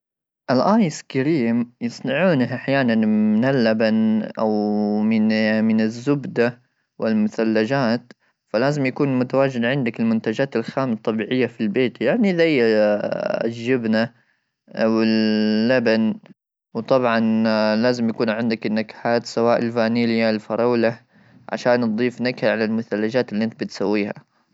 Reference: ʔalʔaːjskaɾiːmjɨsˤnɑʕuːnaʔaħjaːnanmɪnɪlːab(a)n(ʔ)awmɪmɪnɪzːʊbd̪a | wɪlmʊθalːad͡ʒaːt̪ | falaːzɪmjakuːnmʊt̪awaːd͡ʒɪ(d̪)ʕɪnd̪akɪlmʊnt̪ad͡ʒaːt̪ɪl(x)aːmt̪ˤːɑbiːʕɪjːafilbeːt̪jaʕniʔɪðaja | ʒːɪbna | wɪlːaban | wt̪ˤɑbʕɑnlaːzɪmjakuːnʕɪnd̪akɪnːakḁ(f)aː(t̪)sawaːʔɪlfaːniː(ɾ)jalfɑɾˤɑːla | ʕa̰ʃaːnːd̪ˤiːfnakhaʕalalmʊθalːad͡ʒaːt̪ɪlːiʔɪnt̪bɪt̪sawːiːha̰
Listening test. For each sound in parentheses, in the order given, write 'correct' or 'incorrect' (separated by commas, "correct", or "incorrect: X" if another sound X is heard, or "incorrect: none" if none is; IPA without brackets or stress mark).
correct, correct, correct, correct, incorrect: ħ, correct, incorrect: l